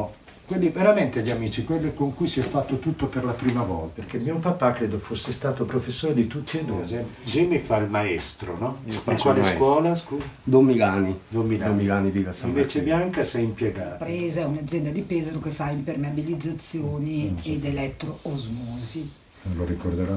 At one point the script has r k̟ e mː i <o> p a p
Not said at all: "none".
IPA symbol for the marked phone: o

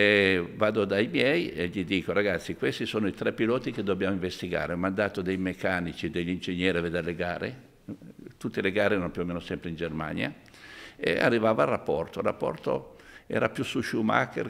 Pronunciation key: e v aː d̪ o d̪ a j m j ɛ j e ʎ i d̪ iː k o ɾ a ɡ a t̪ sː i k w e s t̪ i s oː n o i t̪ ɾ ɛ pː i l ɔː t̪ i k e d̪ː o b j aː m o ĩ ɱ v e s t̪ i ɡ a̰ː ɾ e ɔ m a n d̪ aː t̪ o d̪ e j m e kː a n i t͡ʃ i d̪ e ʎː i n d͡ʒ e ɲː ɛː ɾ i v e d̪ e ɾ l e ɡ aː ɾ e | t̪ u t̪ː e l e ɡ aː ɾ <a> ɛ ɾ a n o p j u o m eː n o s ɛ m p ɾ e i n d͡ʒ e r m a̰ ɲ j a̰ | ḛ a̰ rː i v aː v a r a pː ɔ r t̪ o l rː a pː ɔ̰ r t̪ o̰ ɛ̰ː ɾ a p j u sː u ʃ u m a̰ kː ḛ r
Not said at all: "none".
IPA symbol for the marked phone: e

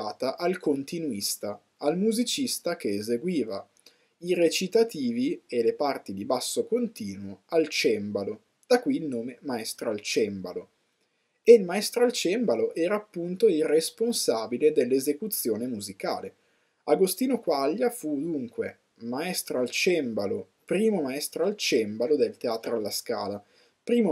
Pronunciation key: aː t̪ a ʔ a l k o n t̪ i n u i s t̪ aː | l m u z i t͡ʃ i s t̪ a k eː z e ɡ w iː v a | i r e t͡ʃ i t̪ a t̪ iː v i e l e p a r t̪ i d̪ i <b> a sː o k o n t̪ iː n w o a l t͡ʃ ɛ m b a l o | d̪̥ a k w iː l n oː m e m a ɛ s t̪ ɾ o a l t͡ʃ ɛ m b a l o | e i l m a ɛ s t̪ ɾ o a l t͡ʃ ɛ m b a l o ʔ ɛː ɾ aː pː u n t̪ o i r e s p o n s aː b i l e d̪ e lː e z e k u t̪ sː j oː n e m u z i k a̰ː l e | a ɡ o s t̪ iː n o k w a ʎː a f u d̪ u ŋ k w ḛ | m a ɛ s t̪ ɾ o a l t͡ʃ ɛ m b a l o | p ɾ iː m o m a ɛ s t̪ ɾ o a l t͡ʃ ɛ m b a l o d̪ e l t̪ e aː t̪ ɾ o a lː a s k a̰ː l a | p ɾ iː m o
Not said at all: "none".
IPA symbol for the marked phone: b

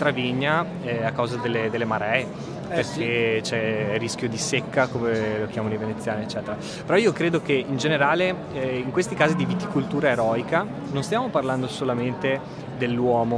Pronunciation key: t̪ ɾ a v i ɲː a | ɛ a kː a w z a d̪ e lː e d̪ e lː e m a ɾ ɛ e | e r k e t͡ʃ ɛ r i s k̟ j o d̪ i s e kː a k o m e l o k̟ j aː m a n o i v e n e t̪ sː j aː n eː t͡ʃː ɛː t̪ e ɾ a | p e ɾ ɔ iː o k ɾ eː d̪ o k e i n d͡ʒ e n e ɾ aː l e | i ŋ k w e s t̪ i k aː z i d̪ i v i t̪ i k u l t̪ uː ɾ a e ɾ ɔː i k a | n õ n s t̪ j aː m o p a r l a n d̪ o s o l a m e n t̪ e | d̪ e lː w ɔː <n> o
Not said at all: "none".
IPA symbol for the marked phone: m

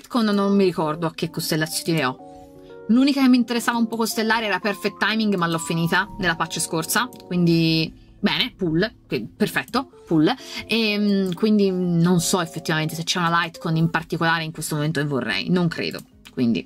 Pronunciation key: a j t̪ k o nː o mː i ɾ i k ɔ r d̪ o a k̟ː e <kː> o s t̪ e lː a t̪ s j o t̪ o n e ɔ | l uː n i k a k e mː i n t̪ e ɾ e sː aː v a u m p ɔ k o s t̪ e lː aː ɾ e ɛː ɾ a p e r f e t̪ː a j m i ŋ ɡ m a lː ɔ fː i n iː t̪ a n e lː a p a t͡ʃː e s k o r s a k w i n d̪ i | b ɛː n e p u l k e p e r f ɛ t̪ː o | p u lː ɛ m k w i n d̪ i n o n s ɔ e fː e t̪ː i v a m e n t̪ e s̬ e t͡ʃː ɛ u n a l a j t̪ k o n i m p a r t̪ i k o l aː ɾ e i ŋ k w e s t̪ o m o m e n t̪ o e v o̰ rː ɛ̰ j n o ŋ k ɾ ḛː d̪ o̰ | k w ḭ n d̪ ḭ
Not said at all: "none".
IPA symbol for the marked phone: kː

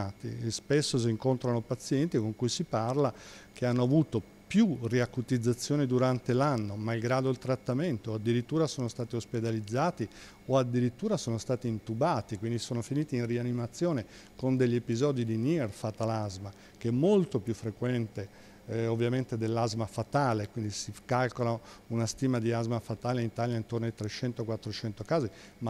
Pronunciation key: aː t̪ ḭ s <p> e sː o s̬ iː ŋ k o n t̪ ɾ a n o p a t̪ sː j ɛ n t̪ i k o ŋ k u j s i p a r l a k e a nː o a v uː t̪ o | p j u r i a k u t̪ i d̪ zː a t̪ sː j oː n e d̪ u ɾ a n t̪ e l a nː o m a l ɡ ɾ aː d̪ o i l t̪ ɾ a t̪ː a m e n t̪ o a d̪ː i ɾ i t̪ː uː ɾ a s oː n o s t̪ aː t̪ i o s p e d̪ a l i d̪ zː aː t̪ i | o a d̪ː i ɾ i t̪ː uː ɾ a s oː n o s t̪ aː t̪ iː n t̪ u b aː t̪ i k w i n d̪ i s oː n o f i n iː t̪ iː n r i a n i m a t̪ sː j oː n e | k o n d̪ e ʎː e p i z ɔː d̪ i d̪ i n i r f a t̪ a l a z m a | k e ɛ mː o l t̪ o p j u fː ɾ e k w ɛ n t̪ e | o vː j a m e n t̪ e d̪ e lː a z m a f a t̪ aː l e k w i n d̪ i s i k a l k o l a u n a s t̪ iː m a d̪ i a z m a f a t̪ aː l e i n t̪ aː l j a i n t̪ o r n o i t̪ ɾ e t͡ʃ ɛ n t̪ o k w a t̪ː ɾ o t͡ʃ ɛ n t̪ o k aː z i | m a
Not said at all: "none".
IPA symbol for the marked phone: p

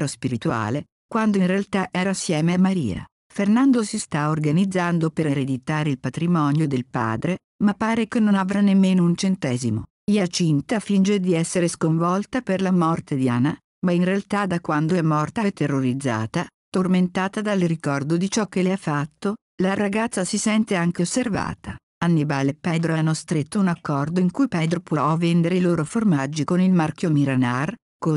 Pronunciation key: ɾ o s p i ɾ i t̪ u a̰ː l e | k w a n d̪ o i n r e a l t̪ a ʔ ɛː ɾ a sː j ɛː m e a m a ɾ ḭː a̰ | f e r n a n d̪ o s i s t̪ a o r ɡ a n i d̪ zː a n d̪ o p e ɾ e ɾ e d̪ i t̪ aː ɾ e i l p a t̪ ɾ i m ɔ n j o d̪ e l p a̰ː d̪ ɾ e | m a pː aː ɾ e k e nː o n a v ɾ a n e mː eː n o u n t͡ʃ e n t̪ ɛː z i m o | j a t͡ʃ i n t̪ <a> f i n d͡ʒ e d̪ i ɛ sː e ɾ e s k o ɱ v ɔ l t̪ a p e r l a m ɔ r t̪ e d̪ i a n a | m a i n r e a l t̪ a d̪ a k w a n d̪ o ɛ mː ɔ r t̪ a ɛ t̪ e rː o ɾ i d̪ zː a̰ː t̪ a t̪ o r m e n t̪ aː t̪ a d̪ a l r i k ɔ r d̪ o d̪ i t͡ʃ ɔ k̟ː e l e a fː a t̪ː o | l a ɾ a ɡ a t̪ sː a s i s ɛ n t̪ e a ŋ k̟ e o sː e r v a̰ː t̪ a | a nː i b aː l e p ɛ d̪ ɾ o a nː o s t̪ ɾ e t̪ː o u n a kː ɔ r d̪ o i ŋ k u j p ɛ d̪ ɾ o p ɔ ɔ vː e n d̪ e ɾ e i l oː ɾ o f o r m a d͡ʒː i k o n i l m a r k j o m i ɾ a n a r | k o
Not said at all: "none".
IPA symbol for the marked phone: a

